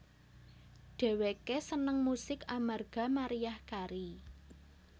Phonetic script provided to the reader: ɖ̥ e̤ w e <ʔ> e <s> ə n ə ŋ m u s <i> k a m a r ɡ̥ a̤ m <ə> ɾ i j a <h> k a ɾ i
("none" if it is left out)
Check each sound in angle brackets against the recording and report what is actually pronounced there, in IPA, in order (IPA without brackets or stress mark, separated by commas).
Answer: k, s, ɪ, a, h